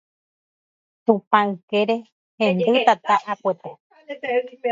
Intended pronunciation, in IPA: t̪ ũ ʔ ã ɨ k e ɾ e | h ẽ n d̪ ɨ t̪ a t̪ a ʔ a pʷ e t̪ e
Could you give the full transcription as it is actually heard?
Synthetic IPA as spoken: t̪ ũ p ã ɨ k e ɾ e | h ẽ n d̪ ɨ t̪ a t̪ a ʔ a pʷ e t̪ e

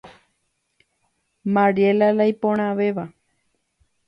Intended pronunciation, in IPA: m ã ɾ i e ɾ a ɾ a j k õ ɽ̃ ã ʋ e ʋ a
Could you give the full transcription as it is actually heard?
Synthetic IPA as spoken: m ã ɾ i e l a l a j p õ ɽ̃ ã ʋ e ʋ a

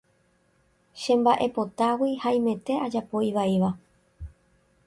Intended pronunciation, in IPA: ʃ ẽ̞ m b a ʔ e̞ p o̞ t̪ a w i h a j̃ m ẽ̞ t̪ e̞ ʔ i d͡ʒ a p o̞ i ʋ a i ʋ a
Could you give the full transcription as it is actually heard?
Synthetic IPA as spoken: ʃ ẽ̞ m b a ʔ e̞ p o̞ t̪ a w i h a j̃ m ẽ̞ t̪ e̞ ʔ a d͡ʒ a p o̞ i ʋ a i ʋ a

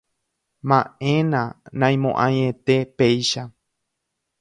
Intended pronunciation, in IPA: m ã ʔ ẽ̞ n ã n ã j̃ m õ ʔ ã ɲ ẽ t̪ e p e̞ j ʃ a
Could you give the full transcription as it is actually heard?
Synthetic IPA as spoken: m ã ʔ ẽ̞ n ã n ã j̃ m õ ʔ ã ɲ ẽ t̪ e p e̞ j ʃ a

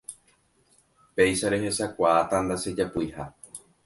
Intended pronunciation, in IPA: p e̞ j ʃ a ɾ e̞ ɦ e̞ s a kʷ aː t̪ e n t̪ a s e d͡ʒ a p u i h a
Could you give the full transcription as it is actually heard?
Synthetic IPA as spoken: p e̞ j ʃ a ɾ e̞ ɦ e̞ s a kʷ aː t̪ a n d̪ a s e d͡ʒ a p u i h a

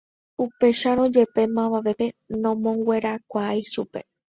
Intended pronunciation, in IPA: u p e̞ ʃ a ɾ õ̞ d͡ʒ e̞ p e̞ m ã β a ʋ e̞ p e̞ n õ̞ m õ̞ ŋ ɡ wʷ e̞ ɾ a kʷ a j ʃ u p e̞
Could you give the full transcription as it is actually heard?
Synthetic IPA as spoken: u p e̞ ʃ a ɾ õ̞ d͡ʒ e̞ p e̞ m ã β a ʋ e̞ p e̞ n õ̞ m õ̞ ŋ ɡ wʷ e̞ ɾ a kʷ a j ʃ u p e̞

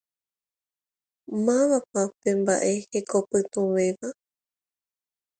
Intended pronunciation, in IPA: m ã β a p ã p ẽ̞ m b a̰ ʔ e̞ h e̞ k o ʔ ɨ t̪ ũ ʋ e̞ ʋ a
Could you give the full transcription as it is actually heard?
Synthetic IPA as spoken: m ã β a p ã p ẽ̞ m b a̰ ʔ e̞ h e̞ k o p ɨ t̪ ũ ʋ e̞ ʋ a

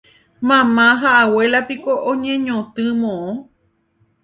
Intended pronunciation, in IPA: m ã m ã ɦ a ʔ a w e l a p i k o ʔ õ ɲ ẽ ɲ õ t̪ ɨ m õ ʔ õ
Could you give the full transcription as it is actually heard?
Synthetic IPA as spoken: m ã m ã ɦ a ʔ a w e l a p i k o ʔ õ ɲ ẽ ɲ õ t̪ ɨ m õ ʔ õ

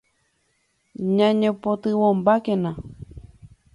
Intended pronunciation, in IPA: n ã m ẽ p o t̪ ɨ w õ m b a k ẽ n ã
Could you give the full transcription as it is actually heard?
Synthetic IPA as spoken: ɲ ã ɲ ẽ p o t̪ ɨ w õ m b a k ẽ n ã

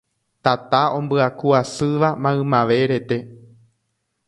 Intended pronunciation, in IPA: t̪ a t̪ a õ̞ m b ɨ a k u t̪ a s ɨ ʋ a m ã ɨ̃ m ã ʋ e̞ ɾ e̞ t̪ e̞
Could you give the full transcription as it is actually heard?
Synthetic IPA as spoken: t̪ a t̪ a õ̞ m b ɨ a k u a s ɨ ʋ a m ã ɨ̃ m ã ʋ e̞ ɾ e̞ t̪ e̞

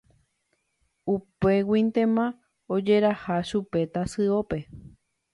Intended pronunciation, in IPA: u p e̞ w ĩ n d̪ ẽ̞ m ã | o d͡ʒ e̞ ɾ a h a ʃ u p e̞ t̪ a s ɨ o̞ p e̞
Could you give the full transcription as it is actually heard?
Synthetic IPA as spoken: u p e̞ w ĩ n t̪ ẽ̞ m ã | o d͡ʒ e̞ ɾ a h a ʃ u p e̞ t̪ a s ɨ o̞ p e̞

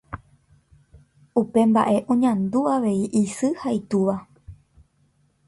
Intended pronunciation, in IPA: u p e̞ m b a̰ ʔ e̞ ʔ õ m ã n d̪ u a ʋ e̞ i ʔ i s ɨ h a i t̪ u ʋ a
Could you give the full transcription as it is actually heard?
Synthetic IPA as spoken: u p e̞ m b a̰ ʔ e̞ ʔ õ ɲ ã n d̪ u a ʋ e̞ i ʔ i s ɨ h a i t̪ u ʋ a

